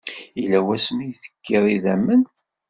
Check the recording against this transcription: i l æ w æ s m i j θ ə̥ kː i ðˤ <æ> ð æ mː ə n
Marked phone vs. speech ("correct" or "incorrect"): incorrect